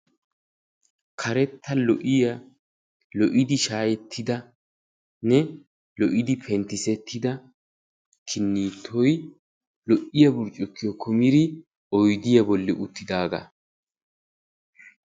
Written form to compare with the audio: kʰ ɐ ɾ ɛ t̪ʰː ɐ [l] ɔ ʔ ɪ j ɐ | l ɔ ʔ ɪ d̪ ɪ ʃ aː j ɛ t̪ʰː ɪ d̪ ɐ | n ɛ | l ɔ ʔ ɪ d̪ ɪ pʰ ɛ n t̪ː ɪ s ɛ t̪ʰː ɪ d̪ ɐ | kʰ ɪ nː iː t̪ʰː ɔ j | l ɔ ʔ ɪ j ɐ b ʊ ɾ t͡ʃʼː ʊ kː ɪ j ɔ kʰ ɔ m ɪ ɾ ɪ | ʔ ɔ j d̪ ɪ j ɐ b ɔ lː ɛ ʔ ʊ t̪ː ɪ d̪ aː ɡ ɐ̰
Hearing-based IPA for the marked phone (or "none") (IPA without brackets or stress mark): l